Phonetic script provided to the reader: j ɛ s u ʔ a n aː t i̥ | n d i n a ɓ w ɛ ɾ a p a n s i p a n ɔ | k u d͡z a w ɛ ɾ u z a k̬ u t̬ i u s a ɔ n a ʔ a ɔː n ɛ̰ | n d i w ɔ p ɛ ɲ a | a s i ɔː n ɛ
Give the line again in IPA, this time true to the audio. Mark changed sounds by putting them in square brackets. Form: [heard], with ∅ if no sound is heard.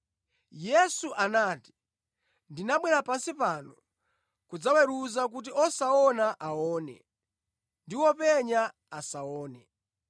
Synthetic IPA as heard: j ɛ s u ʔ a n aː t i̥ | n d i n a ɓ w ɛ ɾ a p a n s i p a n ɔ | k u d͡z a w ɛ ɾ u z a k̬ u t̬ i [ɔ] s a ɔ n a ʔ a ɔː n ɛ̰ | n d i w ɔ p ɛ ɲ a | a s [a] ɔː n ɛ